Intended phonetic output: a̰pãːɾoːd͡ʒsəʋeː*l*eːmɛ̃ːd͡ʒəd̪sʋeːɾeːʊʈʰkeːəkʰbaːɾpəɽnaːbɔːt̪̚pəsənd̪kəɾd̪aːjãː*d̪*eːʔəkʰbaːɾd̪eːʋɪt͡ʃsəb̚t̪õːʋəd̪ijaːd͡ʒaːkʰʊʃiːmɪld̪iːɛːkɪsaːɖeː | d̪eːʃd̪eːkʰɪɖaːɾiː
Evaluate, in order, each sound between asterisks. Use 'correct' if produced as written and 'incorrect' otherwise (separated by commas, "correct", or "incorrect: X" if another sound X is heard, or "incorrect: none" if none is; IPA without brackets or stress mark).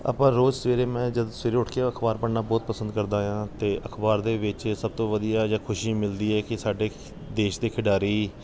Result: incorrect: ɾ, incorrect: t̪